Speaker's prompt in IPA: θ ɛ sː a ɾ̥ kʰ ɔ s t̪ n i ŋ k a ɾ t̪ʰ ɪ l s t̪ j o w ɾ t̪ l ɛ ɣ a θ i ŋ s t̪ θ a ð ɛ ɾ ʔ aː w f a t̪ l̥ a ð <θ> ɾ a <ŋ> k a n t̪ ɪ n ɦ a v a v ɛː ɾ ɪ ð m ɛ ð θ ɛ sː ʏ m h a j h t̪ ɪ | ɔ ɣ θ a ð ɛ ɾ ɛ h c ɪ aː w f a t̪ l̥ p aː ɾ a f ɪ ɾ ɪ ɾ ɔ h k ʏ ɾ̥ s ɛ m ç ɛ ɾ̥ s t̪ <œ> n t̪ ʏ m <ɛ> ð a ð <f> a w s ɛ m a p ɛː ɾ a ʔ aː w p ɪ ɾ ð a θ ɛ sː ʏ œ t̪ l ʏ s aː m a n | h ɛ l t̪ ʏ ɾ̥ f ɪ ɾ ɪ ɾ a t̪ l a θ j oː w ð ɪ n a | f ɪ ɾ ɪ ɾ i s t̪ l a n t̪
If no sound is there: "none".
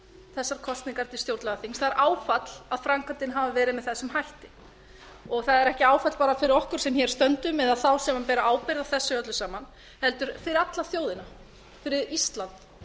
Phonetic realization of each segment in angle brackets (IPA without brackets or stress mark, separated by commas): f, ŋ, œ, ɛ, θ